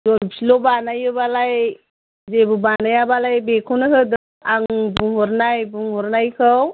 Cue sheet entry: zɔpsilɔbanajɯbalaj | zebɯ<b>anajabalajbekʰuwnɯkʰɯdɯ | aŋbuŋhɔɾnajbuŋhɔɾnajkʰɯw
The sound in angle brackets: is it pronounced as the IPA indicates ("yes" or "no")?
yes